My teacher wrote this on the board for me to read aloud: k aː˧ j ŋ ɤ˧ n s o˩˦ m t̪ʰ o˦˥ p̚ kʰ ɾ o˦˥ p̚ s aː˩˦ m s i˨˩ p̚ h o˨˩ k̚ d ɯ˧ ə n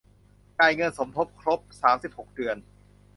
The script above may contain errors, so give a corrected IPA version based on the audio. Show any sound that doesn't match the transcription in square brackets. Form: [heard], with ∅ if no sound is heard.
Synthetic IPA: k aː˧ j ŋ ɤ˧ n s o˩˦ m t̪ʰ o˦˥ p̚ kʰ ɾ o˦˥ p̚ s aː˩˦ m s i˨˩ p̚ h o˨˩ k̚ d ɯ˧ ə n